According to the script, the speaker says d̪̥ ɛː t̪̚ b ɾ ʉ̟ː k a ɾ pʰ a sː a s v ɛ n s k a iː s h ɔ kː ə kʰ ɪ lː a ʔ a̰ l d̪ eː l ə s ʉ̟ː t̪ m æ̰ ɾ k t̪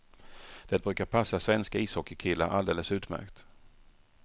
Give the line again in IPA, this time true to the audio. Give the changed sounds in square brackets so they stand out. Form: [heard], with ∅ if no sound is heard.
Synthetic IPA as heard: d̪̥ [ɛ] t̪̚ b ɾ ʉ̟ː k a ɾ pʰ a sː a s v ɛ n s k a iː s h ɔ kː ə kʰ ɪ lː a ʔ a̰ l d̪ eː l ə s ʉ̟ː t̪ m æ̰ ɾ k t̪